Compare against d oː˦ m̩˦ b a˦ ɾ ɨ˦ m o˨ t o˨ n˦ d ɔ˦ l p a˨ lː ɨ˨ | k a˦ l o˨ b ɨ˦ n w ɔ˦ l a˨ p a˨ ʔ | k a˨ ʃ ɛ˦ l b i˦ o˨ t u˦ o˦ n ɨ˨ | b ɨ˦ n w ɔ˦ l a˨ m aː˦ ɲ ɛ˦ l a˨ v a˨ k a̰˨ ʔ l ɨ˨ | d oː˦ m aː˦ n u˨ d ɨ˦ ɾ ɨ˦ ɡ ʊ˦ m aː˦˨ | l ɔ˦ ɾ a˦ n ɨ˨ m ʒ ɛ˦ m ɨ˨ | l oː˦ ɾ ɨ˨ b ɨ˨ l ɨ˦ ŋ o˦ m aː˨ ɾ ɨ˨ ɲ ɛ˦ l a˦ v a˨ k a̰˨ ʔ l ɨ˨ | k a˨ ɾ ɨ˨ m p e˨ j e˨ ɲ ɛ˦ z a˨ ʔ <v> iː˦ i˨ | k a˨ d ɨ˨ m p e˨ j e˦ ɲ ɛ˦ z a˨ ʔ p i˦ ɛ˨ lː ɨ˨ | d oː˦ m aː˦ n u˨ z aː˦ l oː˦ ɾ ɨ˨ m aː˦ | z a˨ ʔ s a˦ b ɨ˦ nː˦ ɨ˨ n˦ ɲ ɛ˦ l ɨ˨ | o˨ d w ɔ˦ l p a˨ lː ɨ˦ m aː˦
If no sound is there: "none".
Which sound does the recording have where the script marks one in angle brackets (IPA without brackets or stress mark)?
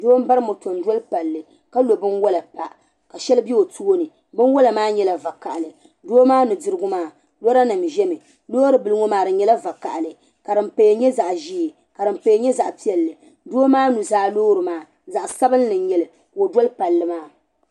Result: ʒ